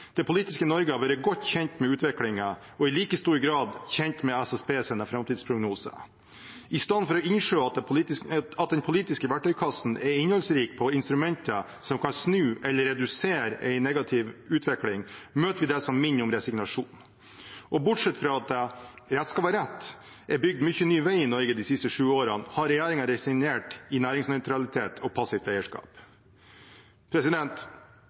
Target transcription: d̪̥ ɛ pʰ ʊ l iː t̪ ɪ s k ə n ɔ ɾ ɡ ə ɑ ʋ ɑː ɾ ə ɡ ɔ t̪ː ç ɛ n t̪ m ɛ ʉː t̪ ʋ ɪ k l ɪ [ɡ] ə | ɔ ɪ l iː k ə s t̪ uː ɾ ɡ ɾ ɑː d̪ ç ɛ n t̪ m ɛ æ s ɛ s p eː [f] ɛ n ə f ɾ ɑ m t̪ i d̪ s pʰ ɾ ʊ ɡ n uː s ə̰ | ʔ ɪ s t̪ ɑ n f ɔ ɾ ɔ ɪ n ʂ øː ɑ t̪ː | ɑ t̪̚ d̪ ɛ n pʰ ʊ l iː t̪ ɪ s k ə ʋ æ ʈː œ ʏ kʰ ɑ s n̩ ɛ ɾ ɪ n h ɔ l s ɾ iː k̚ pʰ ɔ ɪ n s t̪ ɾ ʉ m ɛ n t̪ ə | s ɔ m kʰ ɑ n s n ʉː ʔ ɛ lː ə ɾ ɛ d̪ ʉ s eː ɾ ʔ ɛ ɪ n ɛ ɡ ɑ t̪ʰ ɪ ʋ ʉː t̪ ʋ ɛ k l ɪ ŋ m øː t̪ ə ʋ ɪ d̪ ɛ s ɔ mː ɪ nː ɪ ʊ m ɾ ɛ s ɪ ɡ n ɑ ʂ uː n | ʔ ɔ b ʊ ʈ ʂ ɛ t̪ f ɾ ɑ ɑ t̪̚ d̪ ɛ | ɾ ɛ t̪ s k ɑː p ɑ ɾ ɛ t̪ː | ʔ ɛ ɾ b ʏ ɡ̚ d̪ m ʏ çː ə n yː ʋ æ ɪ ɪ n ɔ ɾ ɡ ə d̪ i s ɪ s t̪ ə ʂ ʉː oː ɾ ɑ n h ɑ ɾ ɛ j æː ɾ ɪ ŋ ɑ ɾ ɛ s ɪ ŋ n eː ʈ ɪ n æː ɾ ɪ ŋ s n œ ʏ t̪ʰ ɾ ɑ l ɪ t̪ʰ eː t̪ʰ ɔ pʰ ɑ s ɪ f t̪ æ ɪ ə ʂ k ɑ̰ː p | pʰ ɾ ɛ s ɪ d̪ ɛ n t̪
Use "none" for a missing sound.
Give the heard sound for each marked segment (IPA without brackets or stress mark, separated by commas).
ŋ, s